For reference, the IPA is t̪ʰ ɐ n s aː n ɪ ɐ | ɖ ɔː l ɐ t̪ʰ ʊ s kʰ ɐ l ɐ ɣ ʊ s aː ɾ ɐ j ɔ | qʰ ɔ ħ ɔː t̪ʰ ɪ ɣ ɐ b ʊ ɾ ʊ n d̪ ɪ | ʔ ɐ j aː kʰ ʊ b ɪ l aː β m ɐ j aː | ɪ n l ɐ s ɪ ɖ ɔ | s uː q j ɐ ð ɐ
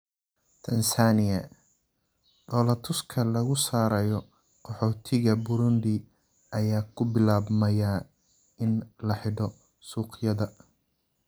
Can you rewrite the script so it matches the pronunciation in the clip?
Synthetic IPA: t̪ʰ ɐ n s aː n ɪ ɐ | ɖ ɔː l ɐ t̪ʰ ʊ s kʰ ɐ l ɐ ɣ ʊ s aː ɾ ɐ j ɔ | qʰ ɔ ħ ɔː t̪ʰ ɪ ɣ ɐ b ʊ ɾ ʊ n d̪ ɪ | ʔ ɐ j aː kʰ ʊ b ɪ l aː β m ɐ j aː | ɪ n l ɐ ħ ɪ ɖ ɔ | s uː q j ɐ ð ɐ